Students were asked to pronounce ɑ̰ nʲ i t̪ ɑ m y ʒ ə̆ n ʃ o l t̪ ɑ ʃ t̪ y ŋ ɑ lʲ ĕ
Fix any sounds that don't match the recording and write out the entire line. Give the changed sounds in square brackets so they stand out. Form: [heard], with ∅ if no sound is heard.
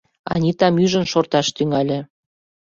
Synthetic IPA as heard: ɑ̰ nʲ i t̪ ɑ m y ʒ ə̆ n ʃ o [r] t̪ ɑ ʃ t̪ y ŋ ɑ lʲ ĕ